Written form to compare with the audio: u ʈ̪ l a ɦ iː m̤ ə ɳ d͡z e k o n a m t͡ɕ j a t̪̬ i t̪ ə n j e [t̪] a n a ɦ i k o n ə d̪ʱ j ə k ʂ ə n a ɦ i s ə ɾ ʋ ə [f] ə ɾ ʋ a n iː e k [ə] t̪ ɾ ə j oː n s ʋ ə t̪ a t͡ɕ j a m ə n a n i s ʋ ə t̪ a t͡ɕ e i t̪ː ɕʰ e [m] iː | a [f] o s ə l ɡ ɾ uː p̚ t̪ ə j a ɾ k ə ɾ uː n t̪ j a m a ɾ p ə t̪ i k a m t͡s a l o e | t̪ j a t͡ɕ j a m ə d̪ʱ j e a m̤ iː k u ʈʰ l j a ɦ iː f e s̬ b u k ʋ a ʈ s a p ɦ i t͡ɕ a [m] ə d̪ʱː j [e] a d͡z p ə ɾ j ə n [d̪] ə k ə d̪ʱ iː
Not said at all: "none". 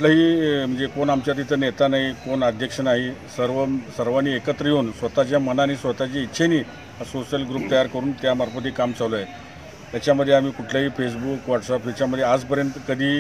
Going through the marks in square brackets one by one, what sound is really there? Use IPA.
t̪, s, ə, n, s, m, e, t̪

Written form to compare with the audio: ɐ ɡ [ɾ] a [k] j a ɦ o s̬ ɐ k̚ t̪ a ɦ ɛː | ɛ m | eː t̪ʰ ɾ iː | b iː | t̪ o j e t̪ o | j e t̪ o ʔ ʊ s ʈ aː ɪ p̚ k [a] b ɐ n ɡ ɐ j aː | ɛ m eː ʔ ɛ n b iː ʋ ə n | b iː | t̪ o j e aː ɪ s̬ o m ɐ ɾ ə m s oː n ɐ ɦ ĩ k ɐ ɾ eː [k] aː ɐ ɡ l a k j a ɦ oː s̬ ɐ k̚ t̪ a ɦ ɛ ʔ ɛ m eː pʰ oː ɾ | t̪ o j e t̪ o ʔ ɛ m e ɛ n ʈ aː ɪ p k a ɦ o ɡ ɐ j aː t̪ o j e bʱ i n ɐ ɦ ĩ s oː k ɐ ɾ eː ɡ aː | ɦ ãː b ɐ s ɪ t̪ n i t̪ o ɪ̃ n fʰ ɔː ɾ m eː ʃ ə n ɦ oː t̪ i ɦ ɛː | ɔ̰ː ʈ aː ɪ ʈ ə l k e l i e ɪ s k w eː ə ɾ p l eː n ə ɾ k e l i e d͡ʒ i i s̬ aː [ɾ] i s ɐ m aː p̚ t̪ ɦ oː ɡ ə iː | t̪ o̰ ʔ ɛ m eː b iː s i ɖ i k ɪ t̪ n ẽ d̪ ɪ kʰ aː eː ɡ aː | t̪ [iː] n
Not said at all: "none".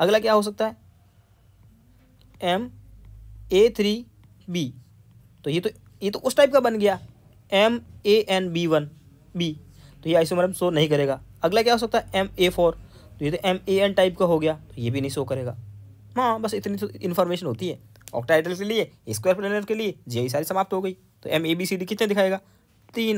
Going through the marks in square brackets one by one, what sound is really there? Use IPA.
l, k, a, ɡ, ɾ, iː

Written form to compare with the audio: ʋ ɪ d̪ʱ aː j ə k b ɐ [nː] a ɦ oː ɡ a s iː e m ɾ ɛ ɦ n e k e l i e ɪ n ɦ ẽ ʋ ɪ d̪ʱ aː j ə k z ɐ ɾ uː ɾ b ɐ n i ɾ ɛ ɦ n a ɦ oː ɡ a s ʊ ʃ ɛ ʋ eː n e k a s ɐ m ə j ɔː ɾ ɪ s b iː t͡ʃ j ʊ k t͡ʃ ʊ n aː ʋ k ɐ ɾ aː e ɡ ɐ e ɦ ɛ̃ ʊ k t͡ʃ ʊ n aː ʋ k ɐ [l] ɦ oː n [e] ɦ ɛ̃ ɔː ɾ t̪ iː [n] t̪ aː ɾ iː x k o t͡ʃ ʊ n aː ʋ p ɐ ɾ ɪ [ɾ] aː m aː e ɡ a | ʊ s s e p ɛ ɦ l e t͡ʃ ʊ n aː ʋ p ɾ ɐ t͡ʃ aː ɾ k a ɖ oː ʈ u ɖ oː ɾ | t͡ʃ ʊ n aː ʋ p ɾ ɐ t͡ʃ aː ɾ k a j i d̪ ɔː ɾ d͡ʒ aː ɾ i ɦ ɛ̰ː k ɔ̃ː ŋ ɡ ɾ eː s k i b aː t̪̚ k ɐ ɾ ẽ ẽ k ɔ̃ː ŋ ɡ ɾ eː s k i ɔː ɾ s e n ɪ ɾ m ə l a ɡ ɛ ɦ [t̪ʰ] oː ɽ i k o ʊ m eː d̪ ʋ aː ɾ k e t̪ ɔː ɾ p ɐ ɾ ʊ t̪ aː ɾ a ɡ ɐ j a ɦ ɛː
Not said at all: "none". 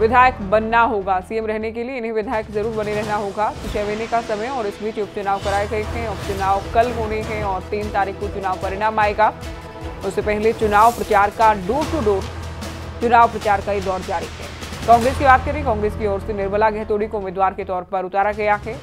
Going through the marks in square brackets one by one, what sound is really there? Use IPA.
nː, l, e, n, ɽ, t̪

